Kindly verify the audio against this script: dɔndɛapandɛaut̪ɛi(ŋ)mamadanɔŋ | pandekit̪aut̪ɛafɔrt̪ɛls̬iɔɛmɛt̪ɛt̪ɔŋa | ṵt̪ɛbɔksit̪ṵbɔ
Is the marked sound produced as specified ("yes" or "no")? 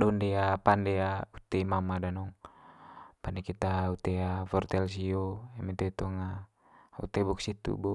no